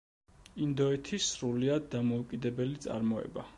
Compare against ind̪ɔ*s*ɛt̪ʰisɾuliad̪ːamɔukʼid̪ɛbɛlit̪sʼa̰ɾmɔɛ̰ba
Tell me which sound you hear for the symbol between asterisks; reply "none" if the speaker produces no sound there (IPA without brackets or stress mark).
none